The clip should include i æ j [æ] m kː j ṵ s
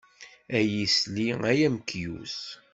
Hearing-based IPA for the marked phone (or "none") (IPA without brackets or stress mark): æ